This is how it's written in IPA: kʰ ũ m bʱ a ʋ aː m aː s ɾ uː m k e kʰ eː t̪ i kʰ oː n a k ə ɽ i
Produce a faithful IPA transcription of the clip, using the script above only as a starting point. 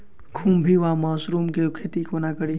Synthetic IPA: kʰ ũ m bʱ i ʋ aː m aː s ɾ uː m k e kʰ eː t̪ i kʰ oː n a k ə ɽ i